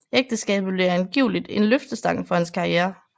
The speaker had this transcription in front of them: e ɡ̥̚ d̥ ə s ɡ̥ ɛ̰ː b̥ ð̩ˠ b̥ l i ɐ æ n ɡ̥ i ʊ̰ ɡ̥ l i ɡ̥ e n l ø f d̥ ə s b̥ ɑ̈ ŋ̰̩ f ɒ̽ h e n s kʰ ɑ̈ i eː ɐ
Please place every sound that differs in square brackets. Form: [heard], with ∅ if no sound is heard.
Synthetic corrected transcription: e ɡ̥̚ d̥ ə s ɡ̥ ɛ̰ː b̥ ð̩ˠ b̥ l i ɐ æ n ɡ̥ i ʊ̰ [∅] l i [d̥] e n l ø f d̥ ə s [d̥] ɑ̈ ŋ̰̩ f ɒ̽ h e n s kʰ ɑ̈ i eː ɐ